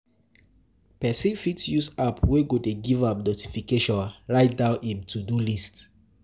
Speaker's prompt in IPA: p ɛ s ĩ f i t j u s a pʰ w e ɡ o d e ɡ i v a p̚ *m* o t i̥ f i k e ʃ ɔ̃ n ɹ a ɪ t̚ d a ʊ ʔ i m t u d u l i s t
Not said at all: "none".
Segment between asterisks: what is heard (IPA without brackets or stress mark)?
n